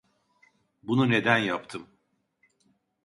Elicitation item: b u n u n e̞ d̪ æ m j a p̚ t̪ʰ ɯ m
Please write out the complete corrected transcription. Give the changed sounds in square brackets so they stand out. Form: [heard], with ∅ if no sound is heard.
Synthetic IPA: b u n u n e̞ d̪ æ [n] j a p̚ t̪ʰ ɯ m

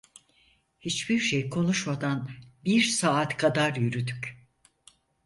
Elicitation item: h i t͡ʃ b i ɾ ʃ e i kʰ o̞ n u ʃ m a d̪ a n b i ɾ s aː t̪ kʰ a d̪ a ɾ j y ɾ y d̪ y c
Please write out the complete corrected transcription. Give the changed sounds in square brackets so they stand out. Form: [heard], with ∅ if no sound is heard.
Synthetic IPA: h i t͡ʃ b i ɾ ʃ e [j] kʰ o̞ n u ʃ m a d̪ a n b i ɾ s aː t̪ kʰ a d̪ a ɾ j y ɾ y d̪ y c

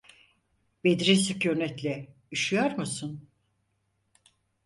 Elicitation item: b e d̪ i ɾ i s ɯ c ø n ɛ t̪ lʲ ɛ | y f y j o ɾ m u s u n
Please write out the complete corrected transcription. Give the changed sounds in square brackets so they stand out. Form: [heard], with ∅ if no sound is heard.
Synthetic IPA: b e d̪ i ɾ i s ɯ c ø n ɛ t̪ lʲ ɛ | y [ʃ] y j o ɾ m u s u n

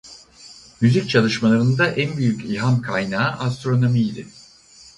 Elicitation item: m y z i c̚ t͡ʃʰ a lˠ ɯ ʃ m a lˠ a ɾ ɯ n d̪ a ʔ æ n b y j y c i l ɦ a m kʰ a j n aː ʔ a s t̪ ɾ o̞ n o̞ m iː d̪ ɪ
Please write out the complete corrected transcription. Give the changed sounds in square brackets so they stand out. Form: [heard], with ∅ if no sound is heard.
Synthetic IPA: m y z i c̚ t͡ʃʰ a lˠ ɯ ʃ m a lˠ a ɾ ɯ n d̪ a ʔ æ n b y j y c i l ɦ a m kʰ a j n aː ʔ a s t̪ ɾ o̞ n o̞ m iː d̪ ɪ

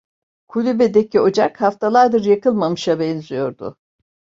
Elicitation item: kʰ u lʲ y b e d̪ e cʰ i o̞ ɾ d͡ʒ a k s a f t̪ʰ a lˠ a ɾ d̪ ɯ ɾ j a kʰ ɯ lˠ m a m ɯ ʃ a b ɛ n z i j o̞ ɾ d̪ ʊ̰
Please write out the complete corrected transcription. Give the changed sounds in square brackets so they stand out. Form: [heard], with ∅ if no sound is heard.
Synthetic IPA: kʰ u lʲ y b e d̪ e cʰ i o̞ [∅] d͡ʒ a k [h] a f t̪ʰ a lˠ a ɾ d̪ ɯ ɾ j a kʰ ɯ lˠ m a m ɯ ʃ a b ɛ n z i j o̞ ɾ d̪ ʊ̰

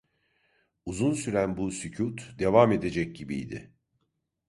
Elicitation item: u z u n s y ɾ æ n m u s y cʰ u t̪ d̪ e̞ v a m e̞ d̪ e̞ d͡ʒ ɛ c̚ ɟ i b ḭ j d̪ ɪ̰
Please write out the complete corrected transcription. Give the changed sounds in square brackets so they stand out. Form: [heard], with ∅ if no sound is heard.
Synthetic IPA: u z u n s y ɾ æ n [b] u s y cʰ u t̪ d̪ e̞ v a m e̞ d̪ e̞ d͡ʒ ɛ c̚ ɟ i b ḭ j d̪ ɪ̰

